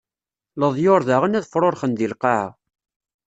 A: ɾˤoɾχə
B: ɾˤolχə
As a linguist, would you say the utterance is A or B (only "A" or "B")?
A